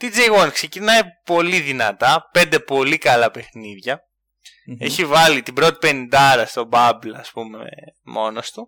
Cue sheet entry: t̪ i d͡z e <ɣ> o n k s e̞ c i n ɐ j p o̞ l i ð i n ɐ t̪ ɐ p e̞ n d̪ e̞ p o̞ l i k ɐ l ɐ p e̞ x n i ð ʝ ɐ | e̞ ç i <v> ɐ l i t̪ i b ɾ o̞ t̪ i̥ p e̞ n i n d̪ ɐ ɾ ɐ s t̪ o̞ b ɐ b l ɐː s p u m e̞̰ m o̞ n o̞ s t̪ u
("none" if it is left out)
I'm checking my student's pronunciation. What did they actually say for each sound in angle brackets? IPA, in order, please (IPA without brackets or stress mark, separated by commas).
ɣ, v